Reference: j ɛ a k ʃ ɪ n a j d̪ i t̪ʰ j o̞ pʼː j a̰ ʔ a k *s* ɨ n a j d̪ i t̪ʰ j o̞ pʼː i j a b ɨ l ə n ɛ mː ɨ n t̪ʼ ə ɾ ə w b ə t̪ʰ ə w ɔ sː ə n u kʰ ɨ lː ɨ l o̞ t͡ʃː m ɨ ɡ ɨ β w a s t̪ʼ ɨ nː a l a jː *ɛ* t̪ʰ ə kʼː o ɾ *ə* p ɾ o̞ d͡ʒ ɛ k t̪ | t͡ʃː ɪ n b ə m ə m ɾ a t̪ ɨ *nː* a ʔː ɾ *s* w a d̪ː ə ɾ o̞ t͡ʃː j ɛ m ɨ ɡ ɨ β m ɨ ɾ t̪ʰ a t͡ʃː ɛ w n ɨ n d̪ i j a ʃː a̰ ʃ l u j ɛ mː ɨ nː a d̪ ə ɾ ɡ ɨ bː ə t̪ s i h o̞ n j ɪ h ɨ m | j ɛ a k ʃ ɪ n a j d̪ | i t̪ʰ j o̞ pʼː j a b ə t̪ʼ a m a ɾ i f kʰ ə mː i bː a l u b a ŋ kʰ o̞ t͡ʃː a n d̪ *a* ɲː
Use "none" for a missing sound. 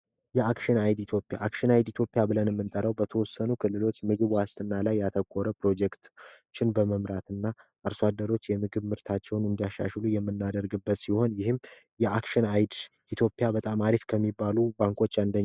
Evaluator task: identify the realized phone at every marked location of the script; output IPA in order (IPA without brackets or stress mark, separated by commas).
ʃ, a, ə, nː, s, ə